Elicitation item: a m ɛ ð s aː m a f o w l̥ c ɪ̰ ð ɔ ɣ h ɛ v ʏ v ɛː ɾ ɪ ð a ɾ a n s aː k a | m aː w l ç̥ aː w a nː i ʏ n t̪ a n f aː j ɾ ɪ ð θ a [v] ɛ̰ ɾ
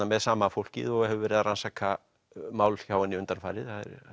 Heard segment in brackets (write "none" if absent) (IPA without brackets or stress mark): ð